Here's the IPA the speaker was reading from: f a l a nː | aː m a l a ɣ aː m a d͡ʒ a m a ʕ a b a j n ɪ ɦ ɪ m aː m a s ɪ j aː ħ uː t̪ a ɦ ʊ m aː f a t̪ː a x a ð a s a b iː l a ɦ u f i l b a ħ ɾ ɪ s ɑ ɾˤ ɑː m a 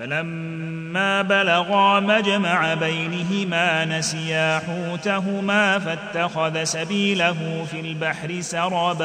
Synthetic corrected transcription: f a l a mː | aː b a l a ɣ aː m a d͡ʒ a m a ʕ a b a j n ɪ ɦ ɪ m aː n a s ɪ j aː ħ uː t̪ a ɦ ʊ m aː f a t̪ː a x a ð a s a b iː l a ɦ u f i l b a ħ ɾ ɪ s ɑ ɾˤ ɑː b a